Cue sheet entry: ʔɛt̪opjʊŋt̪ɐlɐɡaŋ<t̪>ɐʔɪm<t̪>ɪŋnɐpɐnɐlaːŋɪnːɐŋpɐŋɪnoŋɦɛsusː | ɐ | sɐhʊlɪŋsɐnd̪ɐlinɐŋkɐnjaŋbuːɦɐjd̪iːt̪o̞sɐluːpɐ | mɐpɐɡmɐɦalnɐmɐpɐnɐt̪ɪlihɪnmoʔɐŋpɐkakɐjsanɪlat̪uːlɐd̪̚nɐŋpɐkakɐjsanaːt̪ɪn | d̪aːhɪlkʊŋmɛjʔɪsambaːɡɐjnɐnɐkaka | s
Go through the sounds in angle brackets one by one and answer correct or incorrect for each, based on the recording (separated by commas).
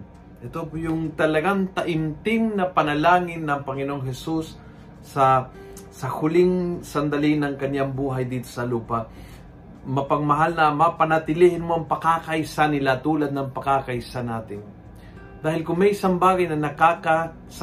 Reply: correct, correct